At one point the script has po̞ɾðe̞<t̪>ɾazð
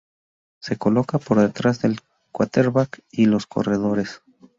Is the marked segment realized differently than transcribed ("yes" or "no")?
no